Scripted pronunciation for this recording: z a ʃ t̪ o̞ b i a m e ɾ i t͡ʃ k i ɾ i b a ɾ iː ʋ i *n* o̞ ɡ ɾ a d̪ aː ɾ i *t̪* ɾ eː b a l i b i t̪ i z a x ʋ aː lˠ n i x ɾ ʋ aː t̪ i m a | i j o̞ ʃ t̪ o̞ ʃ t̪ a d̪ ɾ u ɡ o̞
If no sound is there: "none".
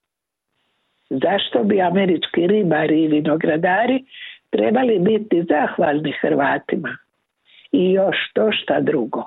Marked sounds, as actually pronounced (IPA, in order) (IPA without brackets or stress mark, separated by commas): n, t̪